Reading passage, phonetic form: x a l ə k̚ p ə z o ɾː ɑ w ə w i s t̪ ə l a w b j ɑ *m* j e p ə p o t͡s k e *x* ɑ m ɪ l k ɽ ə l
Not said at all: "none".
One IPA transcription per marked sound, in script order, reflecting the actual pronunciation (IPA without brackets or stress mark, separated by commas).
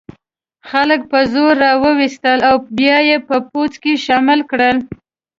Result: none, ʃ